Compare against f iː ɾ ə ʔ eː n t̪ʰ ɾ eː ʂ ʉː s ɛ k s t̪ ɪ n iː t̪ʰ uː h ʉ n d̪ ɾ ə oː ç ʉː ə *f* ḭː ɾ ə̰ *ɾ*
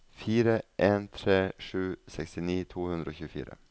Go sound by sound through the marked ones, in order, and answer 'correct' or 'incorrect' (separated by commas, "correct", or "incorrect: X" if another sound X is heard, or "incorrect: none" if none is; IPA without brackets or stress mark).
correct, incorrect: none